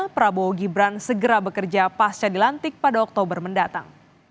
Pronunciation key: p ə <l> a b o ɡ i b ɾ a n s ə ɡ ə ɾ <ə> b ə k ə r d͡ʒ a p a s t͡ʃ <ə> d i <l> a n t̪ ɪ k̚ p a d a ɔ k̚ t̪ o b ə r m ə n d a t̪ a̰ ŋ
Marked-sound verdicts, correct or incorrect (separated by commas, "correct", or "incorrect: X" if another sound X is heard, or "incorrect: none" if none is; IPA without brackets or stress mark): incorrect: ɾ, incorrect: a, incorrect: a, correct